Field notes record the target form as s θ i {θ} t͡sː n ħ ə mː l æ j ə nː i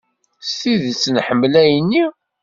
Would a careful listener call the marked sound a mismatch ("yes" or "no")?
yes